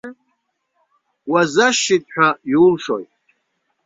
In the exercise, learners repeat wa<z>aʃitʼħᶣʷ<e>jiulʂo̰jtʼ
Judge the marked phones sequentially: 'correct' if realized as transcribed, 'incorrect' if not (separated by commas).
correct, incorrect